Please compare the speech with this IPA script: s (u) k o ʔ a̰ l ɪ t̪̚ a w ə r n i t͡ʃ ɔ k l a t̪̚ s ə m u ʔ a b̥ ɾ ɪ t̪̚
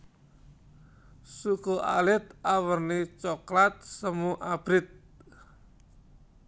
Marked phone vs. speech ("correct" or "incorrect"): correct